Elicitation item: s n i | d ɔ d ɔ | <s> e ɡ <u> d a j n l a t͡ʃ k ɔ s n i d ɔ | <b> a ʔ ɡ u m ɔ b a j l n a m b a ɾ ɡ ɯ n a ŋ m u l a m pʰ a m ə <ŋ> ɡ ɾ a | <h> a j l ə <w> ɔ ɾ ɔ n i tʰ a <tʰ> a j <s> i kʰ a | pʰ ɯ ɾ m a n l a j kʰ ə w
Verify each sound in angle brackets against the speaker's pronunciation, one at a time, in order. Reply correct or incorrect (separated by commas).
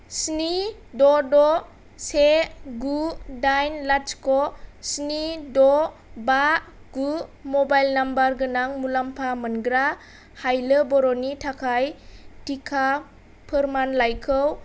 correct, correct, correct, incorrect, correct, incorrect, incorrect, incorrect